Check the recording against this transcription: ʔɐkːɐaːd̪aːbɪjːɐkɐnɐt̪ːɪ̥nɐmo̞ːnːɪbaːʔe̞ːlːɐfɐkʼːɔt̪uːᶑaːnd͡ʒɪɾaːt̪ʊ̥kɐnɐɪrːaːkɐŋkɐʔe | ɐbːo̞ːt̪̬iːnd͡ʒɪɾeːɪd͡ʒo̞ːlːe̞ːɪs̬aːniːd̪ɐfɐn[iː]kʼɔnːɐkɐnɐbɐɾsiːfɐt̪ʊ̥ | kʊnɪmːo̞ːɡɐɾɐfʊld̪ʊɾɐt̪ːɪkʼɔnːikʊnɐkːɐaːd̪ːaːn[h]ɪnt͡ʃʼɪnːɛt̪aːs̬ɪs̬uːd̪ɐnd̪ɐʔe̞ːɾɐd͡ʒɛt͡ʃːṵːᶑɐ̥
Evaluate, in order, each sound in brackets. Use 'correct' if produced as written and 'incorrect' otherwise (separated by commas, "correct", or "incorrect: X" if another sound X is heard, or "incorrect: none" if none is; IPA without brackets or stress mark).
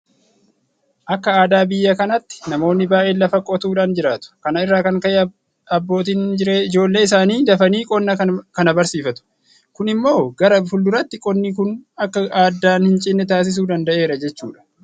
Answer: correct, correct